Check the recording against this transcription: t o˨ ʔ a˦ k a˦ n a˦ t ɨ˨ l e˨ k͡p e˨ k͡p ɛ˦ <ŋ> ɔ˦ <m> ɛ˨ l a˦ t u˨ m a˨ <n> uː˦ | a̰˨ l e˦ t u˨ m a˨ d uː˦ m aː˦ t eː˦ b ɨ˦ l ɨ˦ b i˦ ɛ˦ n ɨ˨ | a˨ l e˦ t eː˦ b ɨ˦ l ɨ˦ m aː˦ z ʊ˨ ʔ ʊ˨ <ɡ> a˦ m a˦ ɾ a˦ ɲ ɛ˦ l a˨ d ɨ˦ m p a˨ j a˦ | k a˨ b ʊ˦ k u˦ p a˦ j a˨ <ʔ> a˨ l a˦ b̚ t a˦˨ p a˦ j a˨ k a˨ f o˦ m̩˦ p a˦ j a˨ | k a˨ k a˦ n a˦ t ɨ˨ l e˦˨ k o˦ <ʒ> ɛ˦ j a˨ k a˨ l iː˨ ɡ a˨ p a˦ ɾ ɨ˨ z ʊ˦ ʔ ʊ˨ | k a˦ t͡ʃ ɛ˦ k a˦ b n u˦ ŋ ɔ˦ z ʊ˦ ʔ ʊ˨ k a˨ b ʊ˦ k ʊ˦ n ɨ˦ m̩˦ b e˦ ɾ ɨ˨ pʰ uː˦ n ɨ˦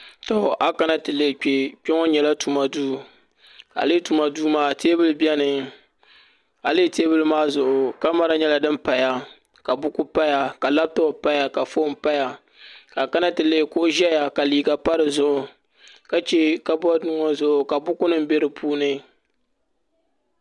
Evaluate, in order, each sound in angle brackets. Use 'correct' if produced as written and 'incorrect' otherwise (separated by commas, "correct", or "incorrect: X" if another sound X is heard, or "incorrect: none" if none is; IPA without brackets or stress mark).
correct, incorrect: ɲ, incorrect: d, incorrect: k, incorrect: k, correct